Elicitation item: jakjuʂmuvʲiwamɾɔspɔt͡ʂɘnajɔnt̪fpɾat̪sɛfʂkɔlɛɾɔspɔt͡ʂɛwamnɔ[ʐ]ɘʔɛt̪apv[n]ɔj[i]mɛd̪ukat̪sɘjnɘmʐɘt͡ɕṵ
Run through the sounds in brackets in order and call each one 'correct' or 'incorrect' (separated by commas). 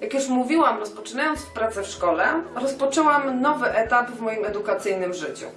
incorrect, incorrect, correct